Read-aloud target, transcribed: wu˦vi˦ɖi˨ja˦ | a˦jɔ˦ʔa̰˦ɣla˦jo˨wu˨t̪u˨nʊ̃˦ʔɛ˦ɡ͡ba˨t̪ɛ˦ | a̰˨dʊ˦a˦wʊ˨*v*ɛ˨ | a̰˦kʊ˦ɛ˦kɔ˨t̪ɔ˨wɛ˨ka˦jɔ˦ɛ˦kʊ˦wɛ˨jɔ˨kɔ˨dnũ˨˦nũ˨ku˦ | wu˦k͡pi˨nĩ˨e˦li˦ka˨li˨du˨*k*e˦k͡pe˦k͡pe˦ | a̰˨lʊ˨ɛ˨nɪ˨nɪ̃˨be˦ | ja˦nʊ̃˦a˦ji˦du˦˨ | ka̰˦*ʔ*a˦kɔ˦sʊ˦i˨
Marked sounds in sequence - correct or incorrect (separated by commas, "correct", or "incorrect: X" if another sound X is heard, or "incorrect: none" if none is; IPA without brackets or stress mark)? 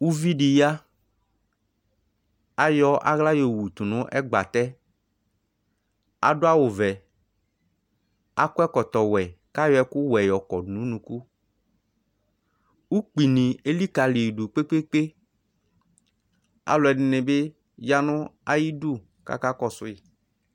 correct, incorrect: k͡p, incorrect: k